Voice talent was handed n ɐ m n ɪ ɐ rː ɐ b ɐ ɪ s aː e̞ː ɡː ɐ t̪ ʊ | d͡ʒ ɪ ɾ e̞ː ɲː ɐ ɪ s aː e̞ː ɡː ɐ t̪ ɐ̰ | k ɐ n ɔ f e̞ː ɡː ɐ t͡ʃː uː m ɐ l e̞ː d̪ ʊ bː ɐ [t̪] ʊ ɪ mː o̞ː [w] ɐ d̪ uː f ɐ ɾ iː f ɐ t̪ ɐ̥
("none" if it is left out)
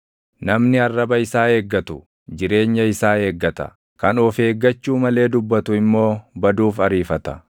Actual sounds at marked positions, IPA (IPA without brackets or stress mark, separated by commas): t̪, b